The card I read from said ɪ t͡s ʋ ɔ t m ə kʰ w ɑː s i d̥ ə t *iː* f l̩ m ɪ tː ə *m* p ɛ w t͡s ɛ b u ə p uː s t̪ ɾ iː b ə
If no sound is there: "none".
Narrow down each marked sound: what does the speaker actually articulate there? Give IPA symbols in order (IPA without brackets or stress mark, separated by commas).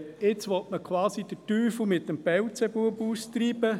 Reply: yː, m